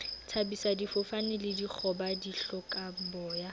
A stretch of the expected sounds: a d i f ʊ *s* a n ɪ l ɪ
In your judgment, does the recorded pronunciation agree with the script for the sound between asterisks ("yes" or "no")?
no